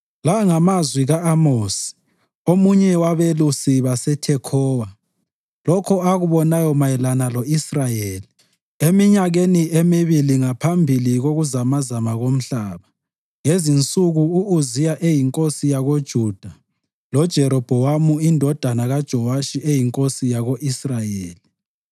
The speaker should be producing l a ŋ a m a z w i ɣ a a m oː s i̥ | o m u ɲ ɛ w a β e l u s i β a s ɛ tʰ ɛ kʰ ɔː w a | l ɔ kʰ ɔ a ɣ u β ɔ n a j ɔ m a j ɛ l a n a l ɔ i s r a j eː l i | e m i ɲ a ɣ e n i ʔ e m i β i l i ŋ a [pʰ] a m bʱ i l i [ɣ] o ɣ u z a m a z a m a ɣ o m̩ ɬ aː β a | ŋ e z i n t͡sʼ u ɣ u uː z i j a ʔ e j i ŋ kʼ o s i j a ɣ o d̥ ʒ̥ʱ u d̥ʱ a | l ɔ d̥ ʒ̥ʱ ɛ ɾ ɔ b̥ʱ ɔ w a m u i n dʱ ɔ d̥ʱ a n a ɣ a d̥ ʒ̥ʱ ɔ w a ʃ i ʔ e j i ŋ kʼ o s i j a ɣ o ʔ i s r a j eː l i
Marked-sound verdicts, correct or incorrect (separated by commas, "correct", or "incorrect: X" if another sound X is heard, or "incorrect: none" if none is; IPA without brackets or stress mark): correct, correct